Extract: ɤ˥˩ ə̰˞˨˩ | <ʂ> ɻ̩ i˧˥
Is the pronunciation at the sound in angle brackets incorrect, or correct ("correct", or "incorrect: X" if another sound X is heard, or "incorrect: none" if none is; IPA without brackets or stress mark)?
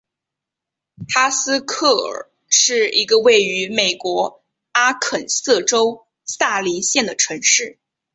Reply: correct